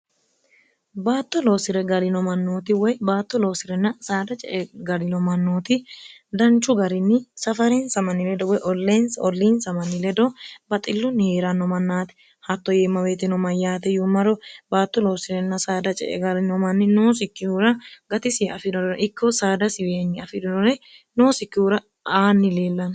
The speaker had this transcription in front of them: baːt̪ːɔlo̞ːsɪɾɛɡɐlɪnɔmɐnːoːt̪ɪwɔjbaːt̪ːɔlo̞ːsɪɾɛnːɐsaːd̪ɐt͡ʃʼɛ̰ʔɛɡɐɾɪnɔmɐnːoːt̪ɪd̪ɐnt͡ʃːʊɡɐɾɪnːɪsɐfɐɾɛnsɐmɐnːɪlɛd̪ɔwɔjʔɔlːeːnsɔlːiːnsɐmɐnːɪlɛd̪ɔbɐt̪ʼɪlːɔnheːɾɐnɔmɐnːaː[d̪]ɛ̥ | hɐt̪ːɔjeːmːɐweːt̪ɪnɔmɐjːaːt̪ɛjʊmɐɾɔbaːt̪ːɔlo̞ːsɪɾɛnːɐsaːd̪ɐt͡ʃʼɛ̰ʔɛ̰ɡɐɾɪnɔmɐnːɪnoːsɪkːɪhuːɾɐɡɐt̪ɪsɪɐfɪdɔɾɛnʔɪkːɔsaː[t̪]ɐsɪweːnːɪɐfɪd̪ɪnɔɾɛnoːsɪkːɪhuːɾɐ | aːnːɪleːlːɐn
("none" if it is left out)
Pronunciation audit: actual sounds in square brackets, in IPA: t̪, d̪

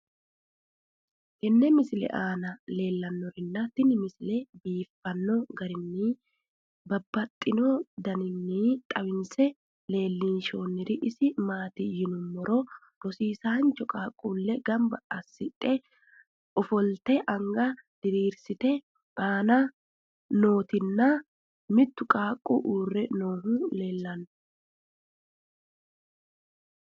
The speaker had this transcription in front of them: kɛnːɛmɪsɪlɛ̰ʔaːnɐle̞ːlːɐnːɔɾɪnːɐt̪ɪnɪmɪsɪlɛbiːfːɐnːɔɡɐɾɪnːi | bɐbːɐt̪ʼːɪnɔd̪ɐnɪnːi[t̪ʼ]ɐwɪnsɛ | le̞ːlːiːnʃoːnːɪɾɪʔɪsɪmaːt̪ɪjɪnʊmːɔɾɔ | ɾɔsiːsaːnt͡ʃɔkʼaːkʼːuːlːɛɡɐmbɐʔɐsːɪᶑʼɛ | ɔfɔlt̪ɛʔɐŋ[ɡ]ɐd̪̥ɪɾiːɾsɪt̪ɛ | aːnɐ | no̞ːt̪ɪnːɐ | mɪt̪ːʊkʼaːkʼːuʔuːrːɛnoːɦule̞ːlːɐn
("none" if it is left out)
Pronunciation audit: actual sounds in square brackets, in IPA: t̪ʼ, ɡ

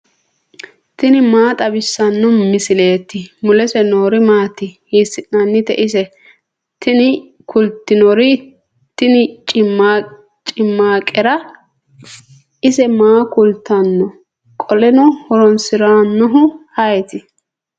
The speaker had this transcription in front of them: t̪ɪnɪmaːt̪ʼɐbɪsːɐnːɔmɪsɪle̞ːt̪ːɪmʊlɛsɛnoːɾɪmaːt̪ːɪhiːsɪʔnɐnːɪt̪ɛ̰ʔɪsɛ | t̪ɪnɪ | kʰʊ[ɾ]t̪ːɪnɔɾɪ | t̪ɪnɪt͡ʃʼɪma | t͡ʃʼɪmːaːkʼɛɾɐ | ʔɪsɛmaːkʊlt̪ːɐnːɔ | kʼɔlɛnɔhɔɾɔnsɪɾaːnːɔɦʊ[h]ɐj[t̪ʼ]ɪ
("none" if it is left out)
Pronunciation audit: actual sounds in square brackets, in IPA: l, h, t̪

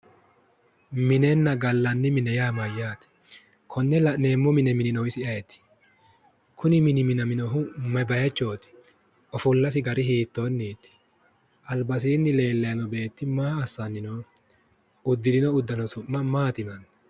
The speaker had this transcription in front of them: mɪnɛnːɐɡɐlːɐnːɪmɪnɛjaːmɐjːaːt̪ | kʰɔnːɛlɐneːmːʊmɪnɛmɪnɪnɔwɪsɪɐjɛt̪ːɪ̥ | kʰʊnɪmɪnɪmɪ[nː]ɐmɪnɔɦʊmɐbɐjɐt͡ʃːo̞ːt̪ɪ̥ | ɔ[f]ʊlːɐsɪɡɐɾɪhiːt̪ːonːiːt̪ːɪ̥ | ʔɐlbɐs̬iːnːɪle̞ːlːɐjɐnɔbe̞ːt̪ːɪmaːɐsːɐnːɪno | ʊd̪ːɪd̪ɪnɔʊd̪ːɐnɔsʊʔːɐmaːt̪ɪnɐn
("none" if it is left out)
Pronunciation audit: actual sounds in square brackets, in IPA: n, f

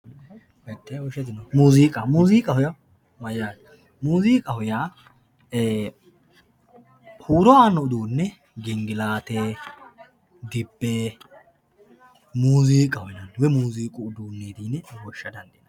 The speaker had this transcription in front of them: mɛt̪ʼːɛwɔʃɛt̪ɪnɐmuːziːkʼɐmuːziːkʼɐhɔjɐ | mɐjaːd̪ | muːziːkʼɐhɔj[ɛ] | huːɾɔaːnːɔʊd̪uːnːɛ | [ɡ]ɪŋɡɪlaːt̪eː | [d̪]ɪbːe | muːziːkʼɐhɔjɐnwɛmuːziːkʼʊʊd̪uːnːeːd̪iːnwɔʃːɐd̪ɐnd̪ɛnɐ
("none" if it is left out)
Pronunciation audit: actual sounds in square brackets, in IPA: a, ɡ, d̪

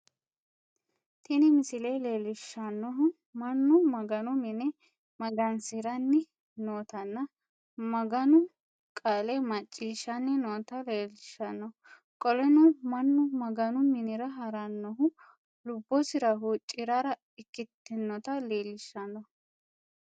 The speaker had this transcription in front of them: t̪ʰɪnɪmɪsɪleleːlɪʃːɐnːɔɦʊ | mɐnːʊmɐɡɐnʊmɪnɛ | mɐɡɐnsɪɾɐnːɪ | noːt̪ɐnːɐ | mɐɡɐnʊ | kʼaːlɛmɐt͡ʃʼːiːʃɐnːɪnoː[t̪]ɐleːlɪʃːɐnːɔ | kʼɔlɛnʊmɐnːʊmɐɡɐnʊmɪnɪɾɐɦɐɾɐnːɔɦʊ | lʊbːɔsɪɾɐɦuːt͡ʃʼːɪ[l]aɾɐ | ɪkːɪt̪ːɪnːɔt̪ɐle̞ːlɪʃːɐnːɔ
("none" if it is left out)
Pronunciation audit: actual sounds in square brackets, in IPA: t̪, ɾ

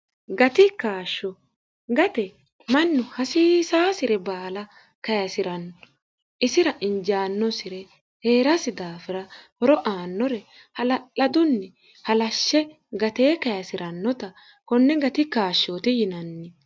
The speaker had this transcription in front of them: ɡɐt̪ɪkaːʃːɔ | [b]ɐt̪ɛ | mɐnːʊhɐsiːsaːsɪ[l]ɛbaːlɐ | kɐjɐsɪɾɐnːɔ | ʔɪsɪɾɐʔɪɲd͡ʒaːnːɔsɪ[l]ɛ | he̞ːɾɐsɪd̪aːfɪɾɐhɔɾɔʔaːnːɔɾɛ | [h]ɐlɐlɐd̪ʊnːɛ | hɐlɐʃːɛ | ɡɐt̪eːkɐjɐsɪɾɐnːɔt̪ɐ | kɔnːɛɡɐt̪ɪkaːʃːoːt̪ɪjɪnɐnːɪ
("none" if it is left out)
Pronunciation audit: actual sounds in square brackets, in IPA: ɡ, ɾ, ɾ, h

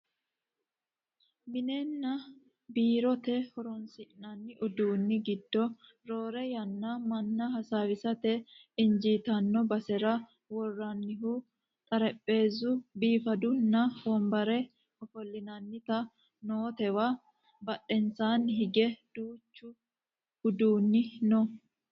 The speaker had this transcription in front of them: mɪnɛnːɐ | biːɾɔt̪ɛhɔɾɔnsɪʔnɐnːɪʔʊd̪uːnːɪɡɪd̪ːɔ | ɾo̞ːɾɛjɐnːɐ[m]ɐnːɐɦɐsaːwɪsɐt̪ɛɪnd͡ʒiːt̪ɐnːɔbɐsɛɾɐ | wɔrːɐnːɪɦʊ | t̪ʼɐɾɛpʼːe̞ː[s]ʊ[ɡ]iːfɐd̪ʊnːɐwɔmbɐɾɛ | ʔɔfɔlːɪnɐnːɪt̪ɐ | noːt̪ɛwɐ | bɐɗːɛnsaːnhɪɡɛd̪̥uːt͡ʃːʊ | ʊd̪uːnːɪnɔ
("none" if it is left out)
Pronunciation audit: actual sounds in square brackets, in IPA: m, z, b

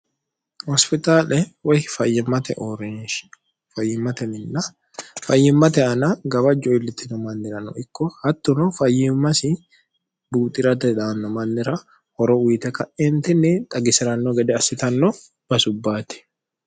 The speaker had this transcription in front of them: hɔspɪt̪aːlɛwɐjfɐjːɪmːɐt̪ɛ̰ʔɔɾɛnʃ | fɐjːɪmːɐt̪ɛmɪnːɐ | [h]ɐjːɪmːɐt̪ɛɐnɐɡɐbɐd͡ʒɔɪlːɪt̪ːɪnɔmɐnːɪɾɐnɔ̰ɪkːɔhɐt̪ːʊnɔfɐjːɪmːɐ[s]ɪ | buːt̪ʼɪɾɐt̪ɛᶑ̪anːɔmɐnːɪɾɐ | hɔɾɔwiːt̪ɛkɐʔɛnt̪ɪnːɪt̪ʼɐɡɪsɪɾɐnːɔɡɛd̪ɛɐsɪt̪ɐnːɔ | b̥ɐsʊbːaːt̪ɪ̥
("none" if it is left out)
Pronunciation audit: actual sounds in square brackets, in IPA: f, s

